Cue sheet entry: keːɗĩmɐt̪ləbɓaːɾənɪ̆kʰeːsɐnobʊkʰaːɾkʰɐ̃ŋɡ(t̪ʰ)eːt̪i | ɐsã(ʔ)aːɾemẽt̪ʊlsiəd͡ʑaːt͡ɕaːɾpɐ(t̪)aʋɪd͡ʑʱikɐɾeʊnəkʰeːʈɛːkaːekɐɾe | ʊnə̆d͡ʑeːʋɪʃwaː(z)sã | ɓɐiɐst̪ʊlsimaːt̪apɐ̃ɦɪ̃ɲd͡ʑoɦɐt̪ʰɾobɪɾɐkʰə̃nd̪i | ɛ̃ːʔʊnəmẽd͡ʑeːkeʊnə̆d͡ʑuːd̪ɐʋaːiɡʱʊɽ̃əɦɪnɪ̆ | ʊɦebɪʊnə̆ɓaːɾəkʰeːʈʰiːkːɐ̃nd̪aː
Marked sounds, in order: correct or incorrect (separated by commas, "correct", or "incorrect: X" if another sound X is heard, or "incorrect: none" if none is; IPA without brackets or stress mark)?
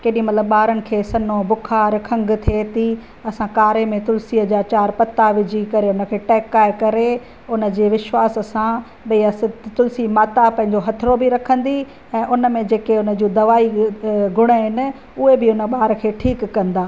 correct, incorrect: k, correct, incorrect: s